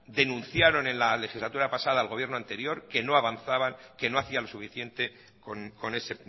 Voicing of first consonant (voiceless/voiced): voiced